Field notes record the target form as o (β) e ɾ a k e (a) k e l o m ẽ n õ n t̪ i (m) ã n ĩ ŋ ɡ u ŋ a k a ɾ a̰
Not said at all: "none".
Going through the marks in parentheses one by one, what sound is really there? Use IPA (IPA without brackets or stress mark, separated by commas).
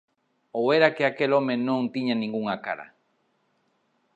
w, a, ɲ